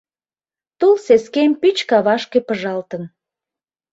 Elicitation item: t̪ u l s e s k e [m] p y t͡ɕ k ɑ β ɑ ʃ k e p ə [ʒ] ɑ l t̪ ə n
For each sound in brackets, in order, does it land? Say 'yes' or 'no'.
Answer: yes, yes

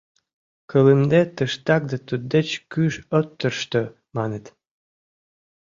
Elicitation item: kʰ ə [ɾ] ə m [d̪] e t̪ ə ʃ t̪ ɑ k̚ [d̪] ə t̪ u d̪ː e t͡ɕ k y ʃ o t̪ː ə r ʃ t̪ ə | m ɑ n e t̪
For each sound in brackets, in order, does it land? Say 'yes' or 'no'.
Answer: no, yes, yes

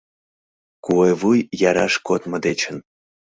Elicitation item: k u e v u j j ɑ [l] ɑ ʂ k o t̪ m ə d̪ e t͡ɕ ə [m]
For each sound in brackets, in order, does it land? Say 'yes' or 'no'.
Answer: no, no

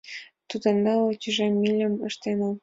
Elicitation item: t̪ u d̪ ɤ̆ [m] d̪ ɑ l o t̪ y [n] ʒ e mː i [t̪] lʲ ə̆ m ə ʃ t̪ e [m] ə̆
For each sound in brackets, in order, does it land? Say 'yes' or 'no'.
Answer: no, no, no, no

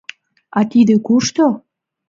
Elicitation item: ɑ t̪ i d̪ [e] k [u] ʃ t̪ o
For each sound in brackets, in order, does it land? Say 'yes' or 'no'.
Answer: yes, yes

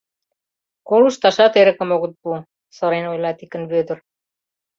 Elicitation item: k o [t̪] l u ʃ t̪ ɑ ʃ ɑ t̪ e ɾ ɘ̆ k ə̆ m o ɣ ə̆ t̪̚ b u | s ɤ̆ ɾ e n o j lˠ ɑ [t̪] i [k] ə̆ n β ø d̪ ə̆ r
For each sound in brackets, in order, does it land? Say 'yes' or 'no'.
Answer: no, yes, yes

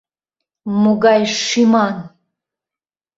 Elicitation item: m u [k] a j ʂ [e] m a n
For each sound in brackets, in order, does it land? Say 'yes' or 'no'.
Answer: no, no

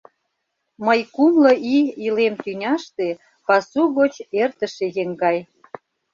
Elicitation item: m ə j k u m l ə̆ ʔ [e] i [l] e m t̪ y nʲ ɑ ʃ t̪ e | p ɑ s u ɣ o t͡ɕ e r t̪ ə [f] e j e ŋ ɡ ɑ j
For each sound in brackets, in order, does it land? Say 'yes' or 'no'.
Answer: no, yes, no

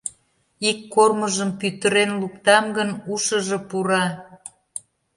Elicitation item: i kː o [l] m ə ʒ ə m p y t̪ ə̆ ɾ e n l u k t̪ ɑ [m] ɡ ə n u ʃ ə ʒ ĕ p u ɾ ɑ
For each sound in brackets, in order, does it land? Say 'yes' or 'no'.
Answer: no, yes

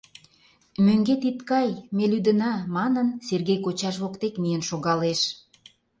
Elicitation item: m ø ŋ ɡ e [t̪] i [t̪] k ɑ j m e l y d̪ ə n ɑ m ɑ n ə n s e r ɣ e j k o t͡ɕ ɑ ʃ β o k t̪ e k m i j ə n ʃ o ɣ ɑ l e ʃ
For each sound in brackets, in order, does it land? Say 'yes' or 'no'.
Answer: yes, yes

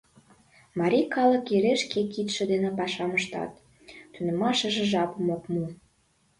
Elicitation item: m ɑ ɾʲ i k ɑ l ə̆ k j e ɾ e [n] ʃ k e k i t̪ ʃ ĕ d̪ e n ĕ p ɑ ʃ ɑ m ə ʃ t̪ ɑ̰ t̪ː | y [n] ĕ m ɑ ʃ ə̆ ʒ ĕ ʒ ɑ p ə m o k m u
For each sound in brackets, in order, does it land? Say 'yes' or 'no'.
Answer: no, yes

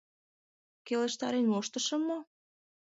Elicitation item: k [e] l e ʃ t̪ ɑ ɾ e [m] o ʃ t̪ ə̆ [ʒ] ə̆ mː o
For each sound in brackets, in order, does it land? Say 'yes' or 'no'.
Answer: yes, no, no

